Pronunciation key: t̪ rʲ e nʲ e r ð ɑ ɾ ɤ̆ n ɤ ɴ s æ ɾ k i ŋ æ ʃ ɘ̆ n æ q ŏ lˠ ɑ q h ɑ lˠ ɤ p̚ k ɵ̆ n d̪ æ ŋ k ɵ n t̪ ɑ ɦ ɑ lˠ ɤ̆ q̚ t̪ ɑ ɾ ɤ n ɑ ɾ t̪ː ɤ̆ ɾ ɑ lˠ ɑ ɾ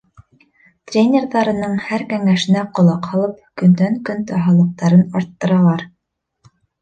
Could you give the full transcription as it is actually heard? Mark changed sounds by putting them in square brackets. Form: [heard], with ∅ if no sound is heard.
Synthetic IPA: t̪ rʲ e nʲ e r ð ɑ ɾ ɤ̆ n ɤ ɴ [h] æ ɾ k [æ] ŋ æ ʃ ɘ̆ n æ q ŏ lˠ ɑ q h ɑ lˠ ɤ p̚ k ɵ̆ n d̪ æ ŋ k ɵ n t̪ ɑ ɦ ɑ lˠ ɤ̆ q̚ t̪ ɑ ɾ ɤ n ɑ ɾ t̪ː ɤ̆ ɾ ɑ lˠ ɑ ɾ